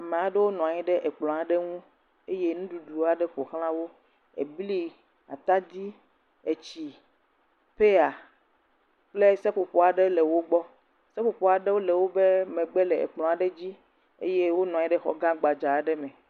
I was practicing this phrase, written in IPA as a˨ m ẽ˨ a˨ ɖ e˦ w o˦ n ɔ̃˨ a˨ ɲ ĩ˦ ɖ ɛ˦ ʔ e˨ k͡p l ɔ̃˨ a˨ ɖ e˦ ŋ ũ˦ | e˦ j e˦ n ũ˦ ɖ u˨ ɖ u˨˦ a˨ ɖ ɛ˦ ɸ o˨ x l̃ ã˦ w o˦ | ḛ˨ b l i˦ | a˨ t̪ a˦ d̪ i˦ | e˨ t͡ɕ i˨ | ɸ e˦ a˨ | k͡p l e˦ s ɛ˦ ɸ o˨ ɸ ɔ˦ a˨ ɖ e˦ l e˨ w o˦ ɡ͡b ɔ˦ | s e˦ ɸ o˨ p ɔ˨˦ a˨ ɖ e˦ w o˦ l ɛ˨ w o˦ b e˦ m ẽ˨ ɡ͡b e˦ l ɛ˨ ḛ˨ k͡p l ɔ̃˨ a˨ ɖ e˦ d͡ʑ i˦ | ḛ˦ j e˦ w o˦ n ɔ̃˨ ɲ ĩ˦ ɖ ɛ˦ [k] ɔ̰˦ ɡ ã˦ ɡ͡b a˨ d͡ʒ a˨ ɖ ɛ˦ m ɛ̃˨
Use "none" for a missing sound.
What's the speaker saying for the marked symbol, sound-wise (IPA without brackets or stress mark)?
x